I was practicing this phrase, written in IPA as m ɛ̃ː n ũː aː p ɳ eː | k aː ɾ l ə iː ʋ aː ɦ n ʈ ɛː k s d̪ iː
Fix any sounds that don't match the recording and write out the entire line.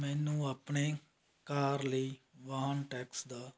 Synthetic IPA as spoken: m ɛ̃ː n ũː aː p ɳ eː | k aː ɾ l ə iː ʋ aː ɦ n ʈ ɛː k s d̪ aː

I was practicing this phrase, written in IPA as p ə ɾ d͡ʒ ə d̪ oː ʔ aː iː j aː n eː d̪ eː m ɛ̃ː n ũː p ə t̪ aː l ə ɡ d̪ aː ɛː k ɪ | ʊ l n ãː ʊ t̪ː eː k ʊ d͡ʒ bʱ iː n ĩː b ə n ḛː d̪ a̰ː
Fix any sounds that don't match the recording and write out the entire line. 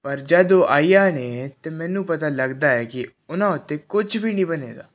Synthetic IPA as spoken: p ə ɾ d͡ʒ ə d̪ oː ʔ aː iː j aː n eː t̪ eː m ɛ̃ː n ũː p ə t̪ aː l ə ɡ d̪ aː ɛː k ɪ | ʊ n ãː ʊ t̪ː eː k ʊ d͡ʒ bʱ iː n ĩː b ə n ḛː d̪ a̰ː

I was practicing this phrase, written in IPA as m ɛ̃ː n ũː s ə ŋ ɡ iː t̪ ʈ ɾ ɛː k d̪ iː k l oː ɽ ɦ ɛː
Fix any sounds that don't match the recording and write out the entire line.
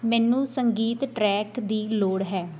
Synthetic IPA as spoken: m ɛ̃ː n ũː s ə ŋ ɡ iː t̪ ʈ ɾ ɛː k d̪ iː l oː ɽ ɦ ɛː

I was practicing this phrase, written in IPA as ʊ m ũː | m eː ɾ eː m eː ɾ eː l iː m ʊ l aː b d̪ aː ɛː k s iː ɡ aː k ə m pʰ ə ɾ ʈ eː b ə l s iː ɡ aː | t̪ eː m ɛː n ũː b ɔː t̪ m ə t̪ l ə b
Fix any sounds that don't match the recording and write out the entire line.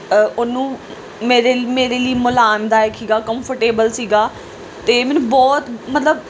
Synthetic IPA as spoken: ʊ n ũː | m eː ɾ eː m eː ɾ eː l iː m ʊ l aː m d̪ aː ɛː k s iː ɡ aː k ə m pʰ ə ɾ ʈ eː b ə l s iː ɡ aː | t̪ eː m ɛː n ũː b ɔː t̪ m ə t̪ l ə b

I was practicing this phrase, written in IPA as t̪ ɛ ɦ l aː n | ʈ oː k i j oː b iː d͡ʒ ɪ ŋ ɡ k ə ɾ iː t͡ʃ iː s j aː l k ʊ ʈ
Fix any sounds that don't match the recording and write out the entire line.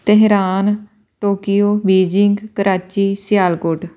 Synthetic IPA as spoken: t̪ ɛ ɦ ɾ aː n | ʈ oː k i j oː b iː d͡ʒ ɪ ŋ ɡ k ə ɾ aː t͡ʃ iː s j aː l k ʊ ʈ

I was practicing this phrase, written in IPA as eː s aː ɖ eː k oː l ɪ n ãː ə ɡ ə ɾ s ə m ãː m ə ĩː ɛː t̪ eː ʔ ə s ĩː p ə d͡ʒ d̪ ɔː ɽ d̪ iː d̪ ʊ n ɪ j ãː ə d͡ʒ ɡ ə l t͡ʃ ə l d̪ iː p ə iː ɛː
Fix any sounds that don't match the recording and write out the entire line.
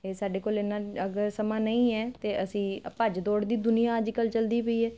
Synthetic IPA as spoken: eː s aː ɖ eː k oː l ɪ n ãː ə ɡ ə ɾ s ə m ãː n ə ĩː ɛː t̪ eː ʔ ə s ĩː p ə d͡ʒ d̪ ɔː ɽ d̪ iː d̪ ʊ n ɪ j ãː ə d͡ʒ k ə l t͡ʃ ə l d̪ iː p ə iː ɛː

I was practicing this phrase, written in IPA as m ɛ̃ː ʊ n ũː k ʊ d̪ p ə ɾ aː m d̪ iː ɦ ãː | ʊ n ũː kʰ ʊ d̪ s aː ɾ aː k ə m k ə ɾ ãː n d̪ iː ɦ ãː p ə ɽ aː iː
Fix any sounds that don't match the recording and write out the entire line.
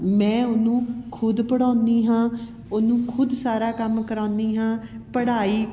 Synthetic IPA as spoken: m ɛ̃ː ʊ n ũː kʰ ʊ d̪ p ə ɽ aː n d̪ iː ɦ ãː | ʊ n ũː kʰ ʊ d̪ s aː ɾ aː k ə m k ə ɾ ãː n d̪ iː ɦ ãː p ə ɽ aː iː

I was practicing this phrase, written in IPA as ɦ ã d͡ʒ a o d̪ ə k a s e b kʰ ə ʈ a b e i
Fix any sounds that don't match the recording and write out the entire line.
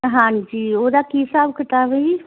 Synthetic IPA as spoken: ɦ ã d͡ʒ i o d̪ a k i s a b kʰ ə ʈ a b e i

